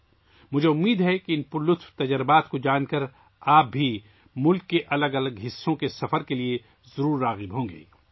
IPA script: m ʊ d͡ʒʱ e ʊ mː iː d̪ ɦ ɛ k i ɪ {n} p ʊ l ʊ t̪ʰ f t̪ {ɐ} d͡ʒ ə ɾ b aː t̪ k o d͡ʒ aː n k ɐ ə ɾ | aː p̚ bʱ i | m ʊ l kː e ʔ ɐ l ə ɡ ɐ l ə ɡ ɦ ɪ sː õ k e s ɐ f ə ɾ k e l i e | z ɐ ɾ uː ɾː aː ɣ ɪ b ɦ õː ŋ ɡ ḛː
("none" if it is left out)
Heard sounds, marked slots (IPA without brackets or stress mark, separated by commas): n, ɐ